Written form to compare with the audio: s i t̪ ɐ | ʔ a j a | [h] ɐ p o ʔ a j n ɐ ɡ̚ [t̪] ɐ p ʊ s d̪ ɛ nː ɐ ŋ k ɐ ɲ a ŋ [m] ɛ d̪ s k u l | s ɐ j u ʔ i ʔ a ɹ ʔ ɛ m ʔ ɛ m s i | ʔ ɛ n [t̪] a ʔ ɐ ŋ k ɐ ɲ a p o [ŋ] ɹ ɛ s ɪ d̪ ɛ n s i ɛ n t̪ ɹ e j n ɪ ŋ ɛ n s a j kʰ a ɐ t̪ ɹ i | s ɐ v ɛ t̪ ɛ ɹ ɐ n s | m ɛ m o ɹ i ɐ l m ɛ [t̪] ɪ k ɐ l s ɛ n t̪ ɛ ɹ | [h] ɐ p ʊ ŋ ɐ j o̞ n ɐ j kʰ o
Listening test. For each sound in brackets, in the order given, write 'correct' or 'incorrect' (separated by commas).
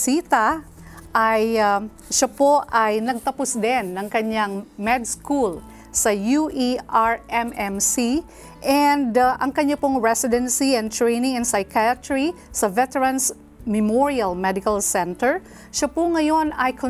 incorrect, correct, correct, incorrect, correct, incorrect, incorrect